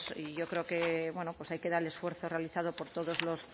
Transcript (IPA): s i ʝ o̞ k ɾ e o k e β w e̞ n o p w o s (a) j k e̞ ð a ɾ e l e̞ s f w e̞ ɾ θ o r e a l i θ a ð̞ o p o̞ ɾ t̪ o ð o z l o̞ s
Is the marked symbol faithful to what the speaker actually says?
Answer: yes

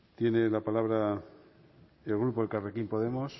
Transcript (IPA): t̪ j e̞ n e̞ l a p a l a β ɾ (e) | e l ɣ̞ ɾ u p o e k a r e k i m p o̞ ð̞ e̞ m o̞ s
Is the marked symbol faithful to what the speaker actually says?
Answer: no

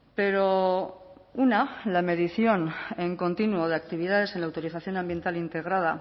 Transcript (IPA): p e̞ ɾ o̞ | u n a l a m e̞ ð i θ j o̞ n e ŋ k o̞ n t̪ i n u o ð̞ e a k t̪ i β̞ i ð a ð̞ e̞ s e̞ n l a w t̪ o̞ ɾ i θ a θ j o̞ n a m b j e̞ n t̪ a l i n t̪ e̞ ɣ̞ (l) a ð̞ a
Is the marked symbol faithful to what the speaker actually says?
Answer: no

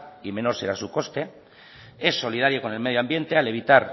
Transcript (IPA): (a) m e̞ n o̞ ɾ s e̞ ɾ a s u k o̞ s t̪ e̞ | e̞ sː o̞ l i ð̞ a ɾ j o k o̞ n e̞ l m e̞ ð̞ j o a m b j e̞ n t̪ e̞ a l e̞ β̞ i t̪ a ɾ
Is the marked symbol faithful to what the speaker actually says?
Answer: no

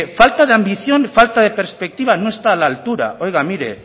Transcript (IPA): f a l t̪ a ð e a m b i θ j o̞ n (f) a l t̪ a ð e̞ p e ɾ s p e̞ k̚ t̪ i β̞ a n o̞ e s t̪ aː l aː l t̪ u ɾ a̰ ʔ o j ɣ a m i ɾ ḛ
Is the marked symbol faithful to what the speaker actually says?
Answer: yes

